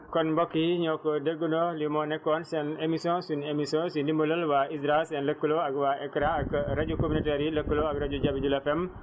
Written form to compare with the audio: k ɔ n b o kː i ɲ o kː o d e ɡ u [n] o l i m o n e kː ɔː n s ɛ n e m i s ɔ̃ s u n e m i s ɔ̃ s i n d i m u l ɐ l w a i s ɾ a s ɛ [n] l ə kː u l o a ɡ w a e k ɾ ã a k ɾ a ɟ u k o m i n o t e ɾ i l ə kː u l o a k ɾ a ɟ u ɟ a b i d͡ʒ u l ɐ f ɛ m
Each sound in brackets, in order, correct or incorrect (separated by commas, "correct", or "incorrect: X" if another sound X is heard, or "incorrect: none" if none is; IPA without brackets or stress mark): correct, correct